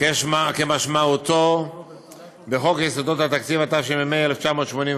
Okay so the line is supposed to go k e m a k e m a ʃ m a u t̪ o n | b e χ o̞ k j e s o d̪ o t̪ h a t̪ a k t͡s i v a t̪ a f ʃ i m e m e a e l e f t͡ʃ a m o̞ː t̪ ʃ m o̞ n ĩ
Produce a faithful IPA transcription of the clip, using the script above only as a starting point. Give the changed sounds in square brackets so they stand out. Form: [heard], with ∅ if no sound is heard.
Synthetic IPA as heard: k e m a k e m a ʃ m a u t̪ o [∅] | b e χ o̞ k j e s o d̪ o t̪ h a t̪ a k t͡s i v a t̪ a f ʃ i m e m e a e l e f t͡ʃ a m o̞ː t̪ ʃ m o̞ n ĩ